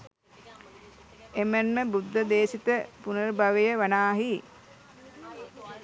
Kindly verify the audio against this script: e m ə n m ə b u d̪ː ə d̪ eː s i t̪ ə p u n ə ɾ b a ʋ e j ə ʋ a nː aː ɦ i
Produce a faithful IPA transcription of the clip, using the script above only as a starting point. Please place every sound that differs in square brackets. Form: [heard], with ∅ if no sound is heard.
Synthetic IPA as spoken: e m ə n m ə b u d̪ː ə d̪ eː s i t̪ ə p u n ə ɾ b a ʋ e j ə ʋ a [n] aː ɦ i